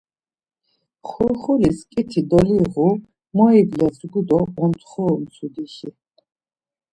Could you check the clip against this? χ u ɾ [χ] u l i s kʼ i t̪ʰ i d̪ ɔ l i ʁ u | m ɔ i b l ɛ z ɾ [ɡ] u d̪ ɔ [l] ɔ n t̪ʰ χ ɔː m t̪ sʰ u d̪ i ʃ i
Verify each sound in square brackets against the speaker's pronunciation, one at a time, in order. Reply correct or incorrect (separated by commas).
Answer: correct, correct, incorrect